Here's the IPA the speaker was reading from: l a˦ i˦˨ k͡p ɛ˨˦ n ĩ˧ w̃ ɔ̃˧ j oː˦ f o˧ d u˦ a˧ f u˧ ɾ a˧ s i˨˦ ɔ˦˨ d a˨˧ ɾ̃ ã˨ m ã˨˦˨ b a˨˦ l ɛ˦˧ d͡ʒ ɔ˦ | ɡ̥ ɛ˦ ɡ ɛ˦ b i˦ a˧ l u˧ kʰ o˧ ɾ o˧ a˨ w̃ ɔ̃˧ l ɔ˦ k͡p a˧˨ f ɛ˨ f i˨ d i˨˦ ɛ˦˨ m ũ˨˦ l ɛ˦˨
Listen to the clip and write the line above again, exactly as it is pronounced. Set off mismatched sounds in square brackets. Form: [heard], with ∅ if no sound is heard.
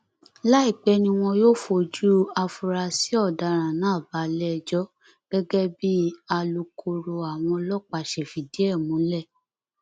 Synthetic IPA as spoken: l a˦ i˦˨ k͡p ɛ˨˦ n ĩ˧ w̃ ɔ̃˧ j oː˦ f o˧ [d͡ʒ] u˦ a˧ f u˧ ɾ a˧ s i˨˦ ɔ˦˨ d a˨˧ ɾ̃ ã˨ [n] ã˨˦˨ b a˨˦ l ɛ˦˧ d͡ʒ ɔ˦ | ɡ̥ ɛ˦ ɡ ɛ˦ b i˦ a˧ l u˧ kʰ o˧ ɾ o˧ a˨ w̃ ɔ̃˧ l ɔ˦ k͡p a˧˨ [ʃ] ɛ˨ f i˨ d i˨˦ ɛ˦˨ m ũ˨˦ l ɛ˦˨